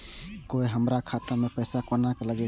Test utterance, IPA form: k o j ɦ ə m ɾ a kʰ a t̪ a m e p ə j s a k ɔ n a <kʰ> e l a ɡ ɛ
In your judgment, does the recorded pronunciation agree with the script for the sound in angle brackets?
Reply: no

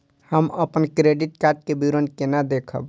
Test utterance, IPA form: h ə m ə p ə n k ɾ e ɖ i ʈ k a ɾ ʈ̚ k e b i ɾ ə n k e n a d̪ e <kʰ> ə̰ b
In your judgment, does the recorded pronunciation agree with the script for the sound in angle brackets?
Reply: yes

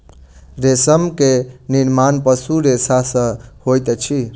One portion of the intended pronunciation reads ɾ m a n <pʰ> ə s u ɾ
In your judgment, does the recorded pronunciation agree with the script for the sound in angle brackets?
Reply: no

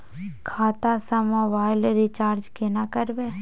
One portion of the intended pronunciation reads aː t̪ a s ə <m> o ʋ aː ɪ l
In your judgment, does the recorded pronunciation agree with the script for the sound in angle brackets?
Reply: yes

